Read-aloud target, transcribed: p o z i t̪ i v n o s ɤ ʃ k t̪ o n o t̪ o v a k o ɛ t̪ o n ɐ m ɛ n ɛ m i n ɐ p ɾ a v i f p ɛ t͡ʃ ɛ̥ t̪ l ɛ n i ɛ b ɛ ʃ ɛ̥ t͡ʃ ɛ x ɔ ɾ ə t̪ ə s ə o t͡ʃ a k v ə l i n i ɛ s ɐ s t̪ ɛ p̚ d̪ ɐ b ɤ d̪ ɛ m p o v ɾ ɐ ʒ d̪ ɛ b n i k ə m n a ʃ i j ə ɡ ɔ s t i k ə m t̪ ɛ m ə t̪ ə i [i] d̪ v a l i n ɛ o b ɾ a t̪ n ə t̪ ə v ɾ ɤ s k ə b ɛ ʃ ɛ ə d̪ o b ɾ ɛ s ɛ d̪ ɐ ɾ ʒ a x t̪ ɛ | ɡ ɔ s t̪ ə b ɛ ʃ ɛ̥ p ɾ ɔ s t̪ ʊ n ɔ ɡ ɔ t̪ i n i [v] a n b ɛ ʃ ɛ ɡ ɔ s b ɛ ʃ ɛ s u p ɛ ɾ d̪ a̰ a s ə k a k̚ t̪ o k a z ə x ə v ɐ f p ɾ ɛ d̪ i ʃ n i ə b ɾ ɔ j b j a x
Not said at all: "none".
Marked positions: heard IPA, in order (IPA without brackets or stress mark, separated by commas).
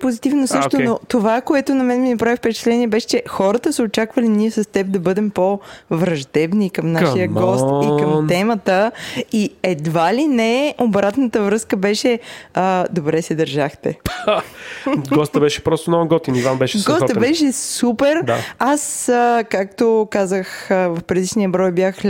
ɛ, v